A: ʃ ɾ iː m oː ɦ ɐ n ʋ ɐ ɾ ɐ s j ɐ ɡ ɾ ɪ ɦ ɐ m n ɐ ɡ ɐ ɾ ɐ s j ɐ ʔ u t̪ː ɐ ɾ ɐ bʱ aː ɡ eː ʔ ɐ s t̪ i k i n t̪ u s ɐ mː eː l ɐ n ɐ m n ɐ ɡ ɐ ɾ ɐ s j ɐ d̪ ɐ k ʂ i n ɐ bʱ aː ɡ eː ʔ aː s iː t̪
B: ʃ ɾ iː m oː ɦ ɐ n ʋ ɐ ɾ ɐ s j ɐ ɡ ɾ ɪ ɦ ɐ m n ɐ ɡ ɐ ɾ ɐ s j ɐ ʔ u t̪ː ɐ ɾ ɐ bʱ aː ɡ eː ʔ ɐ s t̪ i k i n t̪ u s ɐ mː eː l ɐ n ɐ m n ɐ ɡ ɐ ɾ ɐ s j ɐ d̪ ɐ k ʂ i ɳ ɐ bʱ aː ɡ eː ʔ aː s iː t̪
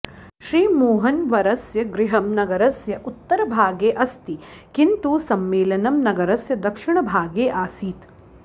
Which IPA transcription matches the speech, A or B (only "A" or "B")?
B